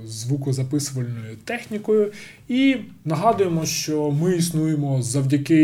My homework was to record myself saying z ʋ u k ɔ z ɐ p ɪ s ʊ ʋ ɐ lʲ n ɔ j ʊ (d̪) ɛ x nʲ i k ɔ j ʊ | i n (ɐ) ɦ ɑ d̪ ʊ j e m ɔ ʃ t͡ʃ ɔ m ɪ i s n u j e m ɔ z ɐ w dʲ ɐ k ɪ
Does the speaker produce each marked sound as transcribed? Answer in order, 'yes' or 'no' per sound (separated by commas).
no, yes